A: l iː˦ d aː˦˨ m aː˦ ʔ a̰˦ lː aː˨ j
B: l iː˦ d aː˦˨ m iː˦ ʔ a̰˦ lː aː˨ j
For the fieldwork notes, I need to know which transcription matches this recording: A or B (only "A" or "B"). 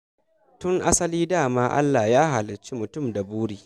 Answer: A